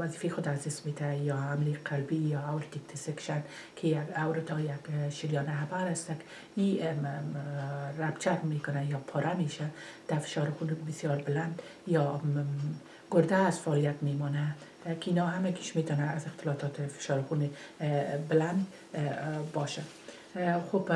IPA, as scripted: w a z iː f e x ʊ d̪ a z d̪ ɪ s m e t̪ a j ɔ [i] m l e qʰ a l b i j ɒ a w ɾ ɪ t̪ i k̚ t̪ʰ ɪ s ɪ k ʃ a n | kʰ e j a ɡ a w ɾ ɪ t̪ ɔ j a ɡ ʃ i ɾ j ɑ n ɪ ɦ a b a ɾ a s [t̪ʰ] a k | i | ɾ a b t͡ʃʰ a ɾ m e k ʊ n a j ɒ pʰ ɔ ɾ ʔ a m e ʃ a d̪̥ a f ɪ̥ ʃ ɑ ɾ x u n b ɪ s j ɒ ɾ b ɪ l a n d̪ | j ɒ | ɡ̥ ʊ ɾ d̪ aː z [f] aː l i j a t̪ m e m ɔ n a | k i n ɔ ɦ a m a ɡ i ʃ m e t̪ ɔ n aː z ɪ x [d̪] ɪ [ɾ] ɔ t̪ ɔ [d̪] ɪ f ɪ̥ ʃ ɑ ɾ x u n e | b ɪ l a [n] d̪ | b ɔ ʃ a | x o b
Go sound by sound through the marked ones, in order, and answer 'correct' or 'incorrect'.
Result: incorrect, incorrect, correct, incorrect, incorrect, incorrect, correct

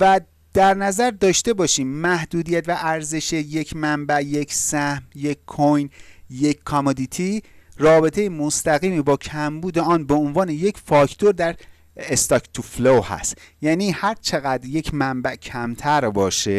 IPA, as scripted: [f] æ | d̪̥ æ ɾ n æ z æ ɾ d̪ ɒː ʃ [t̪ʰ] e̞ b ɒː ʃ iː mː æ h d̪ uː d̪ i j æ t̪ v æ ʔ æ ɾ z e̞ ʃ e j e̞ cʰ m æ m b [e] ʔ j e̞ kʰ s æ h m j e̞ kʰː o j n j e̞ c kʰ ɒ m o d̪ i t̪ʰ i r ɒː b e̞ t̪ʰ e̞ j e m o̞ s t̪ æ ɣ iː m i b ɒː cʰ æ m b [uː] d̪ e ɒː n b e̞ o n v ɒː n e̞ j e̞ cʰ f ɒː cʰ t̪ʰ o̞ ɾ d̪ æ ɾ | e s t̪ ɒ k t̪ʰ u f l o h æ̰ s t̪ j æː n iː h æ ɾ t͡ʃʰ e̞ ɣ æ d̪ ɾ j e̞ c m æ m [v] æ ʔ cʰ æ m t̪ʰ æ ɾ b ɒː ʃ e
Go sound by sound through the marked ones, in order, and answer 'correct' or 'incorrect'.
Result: incorrect, incorrect, incorrect, correct, incorrect

